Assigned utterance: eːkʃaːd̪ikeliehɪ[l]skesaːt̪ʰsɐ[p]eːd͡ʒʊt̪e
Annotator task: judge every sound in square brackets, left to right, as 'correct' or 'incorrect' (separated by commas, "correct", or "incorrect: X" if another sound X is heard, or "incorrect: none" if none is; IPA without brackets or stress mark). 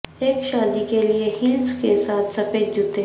correct, correct